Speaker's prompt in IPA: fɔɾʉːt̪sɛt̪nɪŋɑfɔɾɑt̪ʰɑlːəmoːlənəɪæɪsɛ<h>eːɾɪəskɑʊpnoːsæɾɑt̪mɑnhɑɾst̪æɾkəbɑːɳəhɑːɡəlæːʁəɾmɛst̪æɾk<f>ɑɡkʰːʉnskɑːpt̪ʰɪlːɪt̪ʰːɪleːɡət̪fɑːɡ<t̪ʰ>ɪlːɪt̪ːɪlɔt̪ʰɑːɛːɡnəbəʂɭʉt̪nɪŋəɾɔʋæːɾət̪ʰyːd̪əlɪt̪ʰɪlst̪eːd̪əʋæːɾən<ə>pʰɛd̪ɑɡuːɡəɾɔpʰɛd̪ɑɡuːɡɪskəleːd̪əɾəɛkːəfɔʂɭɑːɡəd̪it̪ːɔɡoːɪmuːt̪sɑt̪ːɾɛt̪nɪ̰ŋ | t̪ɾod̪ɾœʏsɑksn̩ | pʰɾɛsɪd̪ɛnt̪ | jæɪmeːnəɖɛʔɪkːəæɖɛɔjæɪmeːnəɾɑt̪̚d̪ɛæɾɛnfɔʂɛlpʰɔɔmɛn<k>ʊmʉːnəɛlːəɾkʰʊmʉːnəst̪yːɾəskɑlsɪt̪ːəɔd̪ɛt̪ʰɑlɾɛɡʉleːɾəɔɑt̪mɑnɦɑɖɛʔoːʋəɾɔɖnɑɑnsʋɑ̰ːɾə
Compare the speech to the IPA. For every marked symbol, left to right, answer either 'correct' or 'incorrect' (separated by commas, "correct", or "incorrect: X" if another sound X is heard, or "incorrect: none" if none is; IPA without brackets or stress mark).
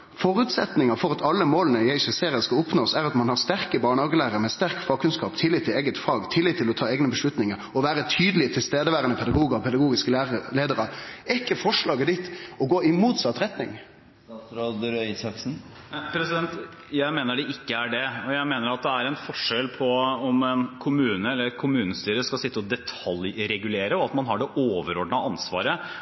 incorrect: s, correct, correct, correct, incorrect: kʰ